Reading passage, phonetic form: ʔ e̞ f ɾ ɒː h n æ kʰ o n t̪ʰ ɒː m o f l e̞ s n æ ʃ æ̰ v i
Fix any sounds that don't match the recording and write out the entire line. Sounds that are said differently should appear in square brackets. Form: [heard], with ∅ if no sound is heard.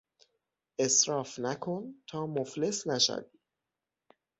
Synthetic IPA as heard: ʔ e̞ [s] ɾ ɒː [f] n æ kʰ o n t̪ʰ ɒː m o f l e̞ s n æ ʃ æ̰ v i